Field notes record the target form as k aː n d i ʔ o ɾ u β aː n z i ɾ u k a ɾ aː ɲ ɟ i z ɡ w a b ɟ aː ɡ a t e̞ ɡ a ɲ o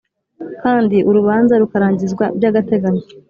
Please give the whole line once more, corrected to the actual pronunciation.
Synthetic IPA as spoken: k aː n d i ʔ u ɾ u β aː n z a ɾ u k a ɾ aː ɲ ɟ i z ɡ w a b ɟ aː ɡ a t e̞ ɡ a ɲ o